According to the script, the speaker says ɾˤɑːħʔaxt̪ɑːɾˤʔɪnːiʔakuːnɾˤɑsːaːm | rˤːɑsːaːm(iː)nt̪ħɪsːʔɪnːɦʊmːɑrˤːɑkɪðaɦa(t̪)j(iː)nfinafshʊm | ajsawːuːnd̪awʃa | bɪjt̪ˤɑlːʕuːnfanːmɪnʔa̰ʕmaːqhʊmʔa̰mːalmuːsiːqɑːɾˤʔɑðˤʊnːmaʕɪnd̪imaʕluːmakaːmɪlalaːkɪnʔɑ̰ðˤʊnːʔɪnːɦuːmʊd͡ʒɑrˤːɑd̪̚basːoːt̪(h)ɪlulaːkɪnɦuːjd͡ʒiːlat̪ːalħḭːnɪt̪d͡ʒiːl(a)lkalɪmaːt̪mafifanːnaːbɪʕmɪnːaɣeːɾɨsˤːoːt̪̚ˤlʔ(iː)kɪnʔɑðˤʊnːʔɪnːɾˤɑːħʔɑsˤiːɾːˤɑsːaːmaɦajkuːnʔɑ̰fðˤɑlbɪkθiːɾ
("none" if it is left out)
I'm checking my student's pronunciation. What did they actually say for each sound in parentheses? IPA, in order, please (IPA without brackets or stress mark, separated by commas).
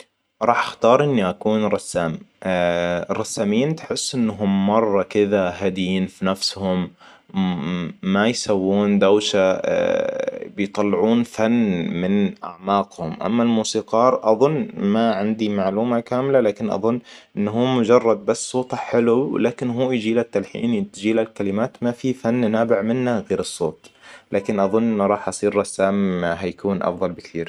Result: iː, d̪, iː, ħ, a, aː